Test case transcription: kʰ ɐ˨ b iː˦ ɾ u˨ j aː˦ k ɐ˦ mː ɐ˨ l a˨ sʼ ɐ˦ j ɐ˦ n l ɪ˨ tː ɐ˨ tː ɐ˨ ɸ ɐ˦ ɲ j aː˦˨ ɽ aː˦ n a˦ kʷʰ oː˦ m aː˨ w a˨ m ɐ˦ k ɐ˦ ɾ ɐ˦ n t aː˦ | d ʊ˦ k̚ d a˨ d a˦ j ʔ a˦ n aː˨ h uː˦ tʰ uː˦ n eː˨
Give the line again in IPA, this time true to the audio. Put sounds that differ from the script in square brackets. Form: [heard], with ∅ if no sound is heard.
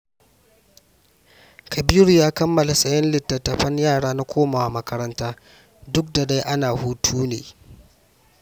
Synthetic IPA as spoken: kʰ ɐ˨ b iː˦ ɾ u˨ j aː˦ k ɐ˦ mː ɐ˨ l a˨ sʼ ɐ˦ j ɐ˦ n l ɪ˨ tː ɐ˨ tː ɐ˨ ɸ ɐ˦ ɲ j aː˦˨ ɽ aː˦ n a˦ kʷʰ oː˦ m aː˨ w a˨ m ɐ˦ k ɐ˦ ɾ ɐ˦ n t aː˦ | d ʊ˦ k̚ d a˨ d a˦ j ʔ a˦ n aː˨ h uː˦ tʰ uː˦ n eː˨

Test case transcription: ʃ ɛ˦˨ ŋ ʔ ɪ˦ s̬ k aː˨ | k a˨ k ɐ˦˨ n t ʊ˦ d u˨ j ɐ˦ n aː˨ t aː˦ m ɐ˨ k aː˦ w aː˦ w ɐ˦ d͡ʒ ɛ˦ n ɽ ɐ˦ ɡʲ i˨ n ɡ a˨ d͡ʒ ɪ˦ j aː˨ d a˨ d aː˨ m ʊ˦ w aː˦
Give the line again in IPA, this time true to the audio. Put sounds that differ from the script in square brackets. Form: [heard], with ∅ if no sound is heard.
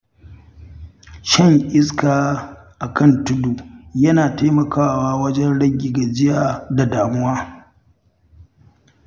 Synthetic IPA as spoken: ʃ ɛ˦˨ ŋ ʔ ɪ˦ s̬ k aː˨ | [ʔ] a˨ k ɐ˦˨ n t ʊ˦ d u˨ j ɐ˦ n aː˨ t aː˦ m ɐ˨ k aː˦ w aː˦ w ɐ˦ d͡ʒ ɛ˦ n ɽ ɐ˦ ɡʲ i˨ [∅] ɡ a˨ d͡ʒ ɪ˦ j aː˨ d a˨ d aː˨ m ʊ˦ w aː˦

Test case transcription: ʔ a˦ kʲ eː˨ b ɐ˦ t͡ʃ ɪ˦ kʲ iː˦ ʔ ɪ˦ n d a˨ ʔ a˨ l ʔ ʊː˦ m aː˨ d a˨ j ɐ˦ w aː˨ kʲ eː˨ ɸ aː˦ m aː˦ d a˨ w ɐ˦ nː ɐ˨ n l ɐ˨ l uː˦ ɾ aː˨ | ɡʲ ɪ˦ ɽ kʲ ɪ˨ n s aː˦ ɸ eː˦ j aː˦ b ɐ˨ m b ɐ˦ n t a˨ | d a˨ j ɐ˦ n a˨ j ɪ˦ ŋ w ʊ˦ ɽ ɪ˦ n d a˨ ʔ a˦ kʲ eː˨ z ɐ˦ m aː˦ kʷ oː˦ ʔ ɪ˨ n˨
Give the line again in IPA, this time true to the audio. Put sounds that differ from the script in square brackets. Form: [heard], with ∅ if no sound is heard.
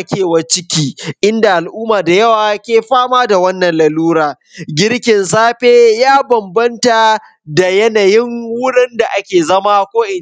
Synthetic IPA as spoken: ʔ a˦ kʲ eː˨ [w] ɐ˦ t͡ʃ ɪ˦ kʲ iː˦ ʔ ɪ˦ n d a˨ ʔ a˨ l ʔ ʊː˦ m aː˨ d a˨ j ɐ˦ w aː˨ kʲ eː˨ ɸ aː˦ m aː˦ d a˨ w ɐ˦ nː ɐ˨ n l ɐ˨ l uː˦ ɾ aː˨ | ɡʲ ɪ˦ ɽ kʲ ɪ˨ n s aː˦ ɸ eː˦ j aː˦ b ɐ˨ m b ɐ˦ n t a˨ | d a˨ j ɐ˦ n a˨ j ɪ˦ ŋ w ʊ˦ ɽ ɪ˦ n d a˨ ʔ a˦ kʲ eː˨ z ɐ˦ m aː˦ kʷ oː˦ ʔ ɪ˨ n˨

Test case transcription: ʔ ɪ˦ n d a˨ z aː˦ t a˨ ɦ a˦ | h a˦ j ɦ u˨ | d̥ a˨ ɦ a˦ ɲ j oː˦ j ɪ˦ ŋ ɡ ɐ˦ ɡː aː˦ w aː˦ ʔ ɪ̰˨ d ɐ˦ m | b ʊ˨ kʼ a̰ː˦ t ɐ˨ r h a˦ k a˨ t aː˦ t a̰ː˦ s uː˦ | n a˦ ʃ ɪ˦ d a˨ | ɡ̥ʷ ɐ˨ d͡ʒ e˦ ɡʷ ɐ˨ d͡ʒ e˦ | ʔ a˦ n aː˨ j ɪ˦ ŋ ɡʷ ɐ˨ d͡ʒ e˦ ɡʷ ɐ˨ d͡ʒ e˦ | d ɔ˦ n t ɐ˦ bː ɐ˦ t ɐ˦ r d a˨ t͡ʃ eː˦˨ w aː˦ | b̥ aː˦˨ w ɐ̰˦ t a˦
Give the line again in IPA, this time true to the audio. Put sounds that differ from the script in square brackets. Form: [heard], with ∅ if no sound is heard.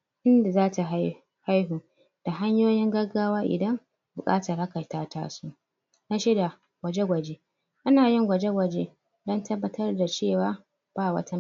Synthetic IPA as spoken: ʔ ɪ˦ n d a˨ z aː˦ t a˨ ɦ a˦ | h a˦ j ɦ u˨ | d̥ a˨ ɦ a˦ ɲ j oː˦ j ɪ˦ ŋ ɡ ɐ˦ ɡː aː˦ w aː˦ ʔ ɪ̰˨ d ɐ˦ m | b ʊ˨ kʼ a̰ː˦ t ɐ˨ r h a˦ k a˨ t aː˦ t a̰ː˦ s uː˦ | n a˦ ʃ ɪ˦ d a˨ | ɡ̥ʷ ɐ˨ d͡ʒ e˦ ɡʷ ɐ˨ d͡ʒ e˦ | ʔ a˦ n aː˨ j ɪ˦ ŋ ɡʷ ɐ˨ d͡ʒ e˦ ɡʷ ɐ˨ d͡ʒ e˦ | d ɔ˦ n t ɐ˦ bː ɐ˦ t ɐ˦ r d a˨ t͡ʃ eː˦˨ w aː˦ | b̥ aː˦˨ w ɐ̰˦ t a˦

